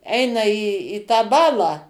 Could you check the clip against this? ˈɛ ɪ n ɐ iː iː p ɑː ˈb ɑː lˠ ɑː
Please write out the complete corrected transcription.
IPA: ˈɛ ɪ n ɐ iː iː t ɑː ˈb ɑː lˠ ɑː

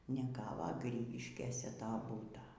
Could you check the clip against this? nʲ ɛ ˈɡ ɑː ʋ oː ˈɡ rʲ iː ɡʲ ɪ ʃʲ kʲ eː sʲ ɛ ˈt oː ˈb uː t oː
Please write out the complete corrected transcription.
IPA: nʲ ɛ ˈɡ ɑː ʋ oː ˈɡ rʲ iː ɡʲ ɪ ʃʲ kʲ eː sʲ ɛ ˈt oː ˈb uː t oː

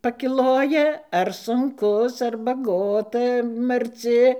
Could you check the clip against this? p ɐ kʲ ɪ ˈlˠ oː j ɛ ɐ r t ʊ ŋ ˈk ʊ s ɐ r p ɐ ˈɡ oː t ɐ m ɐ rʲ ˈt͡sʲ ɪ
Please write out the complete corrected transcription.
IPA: p ɐ kʲ ɪ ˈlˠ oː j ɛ ɐ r s ʊ ŋ ˈk ʊ s ɐ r b ɐ ˈɡ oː t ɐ m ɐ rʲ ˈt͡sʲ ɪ

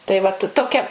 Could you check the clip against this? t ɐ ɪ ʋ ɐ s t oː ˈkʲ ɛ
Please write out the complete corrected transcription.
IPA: t ɐ ɪ ʋ ɐ t t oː ˈkʲ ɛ

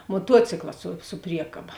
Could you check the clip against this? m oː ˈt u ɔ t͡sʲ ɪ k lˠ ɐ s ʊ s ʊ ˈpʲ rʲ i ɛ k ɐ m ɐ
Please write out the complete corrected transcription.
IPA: m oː ˈt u ɔ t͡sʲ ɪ k lˠ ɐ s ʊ s ʊ ˈpʲ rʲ i ɛ k ɐ b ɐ

